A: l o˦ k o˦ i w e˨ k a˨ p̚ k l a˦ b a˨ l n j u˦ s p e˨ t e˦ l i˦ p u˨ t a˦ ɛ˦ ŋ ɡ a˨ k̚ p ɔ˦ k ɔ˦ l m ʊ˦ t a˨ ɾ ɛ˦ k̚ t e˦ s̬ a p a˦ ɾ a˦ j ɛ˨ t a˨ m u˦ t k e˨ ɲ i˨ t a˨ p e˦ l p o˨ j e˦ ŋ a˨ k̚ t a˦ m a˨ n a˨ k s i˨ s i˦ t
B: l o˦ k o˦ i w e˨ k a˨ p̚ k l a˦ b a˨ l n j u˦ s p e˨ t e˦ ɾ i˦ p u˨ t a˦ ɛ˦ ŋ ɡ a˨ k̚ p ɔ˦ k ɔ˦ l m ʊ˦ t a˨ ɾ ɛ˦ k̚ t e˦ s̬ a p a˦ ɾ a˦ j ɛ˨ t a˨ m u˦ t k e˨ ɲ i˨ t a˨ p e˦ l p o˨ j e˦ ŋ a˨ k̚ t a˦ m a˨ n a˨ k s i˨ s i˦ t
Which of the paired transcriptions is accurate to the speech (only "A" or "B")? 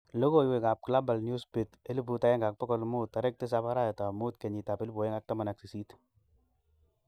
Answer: A